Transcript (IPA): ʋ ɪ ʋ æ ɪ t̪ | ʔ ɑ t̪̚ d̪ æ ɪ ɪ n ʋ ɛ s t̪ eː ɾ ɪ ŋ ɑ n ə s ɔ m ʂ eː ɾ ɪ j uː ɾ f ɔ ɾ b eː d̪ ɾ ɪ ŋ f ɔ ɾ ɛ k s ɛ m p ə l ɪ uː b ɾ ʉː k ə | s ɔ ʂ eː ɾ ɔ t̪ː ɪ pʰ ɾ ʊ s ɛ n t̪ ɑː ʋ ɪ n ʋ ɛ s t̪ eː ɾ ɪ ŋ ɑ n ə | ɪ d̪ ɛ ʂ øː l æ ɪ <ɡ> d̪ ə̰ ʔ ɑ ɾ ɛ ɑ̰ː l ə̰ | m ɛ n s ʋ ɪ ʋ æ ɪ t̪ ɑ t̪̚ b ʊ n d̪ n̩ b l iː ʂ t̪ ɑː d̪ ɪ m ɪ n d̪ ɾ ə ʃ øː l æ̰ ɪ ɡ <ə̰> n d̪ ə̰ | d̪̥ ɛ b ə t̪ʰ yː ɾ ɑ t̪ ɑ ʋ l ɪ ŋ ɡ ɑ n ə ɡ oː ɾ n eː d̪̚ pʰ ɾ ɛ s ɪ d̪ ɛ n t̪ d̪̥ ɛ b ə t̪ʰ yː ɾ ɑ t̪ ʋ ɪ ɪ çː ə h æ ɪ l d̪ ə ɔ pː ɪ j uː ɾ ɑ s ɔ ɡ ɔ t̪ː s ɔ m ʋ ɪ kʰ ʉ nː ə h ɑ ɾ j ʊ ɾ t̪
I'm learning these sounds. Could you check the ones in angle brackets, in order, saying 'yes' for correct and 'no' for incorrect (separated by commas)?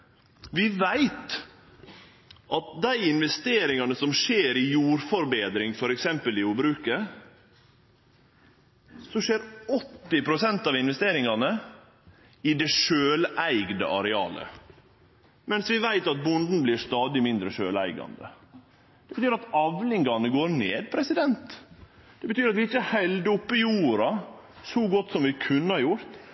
yes, no